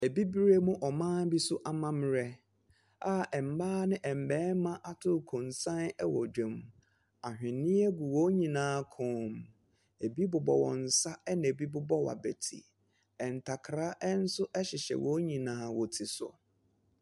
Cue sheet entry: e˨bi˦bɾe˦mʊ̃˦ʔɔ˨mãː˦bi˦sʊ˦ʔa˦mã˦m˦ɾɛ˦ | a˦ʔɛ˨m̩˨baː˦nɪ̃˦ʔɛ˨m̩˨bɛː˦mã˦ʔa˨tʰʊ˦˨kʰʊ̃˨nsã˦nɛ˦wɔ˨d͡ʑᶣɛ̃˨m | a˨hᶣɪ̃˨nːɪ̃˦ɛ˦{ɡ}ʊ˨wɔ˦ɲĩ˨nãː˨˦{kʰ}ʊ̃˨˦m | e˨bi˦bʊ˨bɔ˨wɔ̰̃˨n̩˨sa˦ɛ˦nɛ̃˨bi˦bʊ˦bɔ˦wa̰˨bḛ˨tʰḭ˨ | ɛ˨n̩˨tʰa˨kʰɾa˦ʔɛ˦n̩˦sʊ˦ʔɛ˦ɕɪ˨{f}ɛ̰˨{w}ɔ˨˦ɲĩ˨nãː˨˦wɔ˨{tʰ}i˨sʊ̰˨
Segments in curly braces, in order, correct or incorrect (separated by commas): correct, correct, incorrect, correct, correct